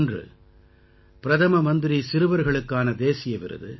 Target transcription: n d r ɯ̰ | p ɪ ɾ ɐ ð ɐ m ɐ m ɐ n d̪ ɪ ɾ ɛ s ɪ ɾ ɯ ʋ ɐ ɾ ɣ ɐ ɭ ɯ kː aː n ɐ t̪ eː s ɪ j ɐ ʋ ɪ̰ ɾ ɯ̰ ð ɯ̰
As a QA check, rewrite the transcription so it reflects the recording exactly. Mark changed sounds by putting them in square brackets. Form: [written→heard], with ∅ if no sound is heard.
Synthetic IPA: n d r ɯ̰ | p ɪ ɾ ɐ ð ɐ m ɐ m ɐ n d̪ ɪ ɾ [ɛ→i] s ɪ ɾ ɯ ʋ ɐ ɾ ɣ ɐ ɭ ɯ kː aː n ɐ [t̪→d̪] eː s ɪ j ɐ ʋ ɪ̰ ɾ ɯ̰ ð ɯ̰